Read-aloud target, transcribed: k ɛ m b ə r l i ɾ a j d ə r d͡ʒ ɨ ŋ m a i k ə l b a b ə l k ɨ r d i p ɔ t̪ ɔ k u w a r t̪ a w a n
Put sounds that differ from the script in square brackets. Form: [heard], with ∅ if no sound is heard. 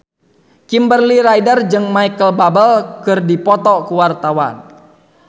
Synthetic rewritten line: k [i] m b ə r l i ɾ a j d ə r d͡ʒ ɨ ŋ m a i k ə l b a b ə l k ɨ r d i p ɔ t̪ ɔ k u w a r t̪ a w a n